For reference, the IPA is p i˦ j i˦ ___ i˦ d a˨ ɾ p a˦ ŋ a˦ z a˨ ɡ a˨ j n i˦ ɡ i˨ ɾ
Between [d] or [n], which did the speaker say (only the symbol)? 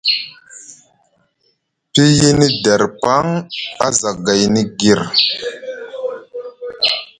n